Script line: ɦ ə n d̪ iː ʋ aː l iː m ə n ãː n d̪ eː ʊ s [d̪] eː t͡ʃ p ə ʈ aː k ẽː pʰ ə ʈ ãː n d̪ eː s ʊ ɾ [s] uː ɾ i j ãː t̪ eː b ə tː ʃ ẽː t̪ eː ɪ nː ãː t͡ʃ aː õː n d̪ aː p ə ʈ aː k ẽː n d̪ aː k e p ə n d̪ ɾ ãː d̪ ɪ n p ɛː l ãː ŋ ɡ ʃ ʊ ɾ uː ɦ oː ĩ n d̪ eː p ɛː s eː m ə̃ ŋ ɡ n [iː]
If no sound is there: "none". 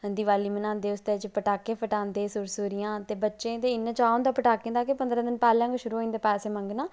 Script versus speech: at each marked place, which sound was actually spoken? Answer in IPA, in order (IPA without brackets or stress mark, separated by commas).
t̪, s, aː